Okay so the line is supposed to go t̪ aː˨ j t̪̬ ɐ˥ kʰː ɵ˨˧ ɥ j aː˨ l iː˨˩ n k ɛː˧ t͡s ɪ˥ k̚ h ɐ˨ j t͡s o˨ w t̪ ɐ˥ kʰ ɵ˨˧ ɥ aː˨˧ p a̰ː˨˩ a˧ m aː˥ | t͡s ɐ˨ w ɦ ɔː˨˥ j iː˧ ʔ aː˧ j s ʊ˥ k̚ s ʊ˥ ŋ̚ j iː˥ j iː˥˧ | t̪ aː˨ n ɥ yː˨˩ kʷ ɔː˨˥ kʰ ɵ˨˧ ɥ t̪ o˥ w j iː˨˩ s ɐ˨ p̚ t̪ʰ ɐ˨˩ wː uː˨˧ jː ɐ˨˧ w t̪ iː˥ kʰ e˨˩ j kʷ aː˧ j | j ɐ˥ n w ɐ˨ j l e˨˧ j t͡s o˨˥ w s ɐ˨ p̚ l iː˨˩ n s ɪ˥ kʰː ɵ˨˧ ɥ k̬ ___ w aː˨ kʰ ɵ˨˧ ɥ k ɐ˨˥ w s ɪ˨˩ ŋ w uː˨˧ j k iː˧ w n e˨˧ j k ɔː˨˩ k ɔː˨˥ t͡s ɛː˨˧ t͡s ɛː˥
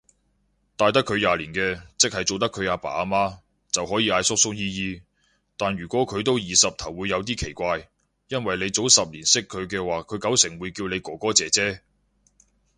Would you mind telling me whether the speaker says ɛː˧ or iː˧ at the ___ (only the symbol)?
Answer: ɛː˧